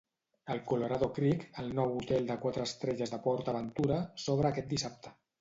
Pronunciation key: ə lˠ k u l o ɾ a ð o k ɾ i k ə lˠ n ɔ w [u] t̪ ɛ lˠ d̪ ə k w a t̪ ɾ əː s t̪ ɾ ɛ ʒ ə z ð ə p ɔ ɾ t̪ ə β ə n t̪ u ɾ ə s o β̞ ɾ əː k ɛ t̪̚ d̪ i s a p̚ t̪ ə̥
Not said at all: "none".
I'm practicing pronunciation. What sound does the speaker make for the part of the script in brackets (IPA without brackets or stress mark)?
u